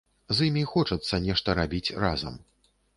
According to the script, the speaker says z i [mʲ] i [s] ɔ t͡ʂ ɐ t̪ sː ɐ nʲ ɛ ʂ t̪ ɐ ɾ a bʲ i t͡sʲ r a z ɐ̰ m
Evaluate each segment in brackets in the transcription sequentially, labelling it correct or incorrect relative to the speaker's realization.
correct, incorrect: x

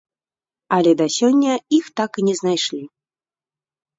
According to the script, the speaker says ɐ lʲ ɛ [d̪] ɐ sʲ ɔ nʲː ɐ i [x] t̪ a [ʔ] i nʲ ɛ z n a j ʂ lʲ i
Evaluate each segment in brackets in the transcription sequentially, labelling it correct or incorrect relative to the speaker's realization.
correct, correct, incorrect: k

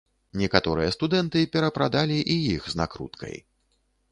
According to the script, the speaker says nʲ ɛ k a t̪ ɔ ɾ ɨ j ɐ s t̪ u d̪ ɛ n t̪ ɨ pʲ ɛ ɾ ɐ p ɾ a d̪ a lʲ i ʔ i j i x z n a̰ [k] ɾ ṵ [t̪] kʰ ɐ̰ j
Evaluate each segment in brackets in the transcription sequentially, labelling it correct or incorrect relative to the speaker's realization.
correct, correct

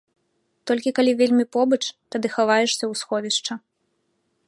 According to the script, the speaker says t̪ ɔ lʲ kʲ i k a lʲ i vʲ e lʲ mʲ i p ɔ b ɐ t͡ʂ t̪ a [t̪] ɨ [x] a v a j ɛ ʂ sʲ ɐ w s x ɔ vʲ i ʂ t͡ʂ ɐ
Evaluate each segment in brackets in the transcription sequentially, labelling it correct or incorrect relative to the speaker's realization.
incorrect: d̪, correct

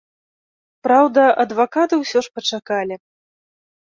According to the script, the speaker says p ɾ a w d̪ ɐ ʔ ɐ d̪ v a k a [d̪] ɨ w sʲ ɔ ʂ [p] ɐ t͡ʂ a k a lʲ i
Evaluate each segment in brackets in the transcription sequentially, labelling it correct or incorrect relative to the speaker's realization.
incorrect: t̪, correct

